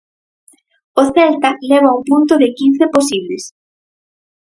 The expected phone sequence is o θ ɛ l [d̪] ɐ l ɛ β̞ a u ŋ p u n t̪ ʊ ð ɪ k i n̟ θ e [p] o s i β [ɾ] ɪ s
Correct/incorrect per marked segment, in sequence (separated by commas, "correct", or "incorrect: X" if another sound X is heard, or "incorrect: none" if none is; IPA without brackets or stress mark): incorrect: t̪, correct, incorrect: l